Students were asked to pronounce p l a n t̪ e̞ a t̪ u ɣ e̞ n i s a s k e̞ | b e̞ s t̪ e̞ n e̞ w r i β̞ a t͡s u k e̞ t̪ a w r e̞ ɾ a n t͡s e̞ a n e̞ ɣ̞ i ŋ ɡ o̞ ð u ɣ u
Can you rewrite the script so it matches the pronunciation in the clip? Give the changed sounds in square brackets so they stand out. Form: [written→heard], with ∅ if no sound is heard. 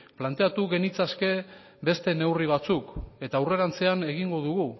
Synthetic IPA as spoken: p l a n t̪ e̞ a t̪ u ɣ e̞ n i [s→t͡s] a s k e̞ | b e̞ s t̪ e̞ n e̞ w r i β̞ a t͡s u k e̞ t̪ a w r e̞ ɾ a n t͡s e̞ a n e̞ ɣ̞ i ŋ ɡ o̞ ð u ɣ u